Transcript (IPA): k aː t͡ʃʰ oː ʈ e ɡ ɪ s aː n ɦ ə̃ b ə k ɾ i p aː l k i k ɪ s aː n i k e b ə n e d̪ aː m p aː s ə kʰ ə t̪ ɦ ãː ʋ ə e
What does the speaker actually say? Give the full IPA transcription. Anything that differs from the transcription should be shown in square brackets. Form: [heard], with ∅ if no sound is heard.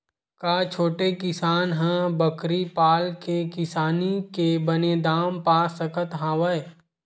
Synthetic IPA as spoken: k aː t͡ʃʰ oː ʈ e [k] ɪ s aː n ɦ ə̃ b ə k ɾ i p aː l k [e] k ɪ s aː n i k e b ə n e d̪ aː m p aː s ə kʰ ə t̪ ɦ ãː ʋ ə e